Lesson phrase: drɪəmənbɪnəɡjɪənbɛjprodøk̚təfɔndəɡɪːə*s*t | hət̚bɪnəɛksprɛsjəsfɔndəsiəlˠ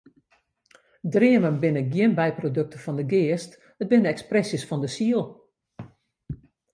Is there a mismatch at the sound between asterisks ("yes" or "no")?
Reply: no